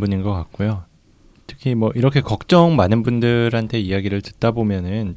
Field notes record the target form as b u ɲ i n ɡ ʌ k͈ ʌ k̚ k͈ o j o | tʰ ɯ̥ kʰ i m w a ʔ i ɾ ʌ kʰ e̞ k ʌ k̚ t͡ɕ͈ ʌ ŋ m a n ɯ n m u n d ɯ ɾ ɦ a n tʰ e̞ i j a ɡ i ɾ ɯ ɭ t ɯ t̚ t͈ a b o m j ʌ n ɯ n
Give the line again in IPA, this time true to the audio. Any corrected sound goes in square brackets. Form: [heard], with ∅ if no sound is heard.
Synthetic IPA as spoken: b u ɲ i n ɡ ʌ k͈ [a] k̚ k͈ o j o | tʰ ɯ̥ kʰ i m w [ʌ] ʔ i ɾ ʌ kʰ e̞ k ʌ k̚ t͡ɕ͈ ʌ ŋ m a n ɯ n [b] u n d ɯ ɾ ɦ a n tʰ e̞ i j a ɡ i ɾ ɯ ɭ t ɯ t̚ t͈ a b o m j ʌ n ɯ n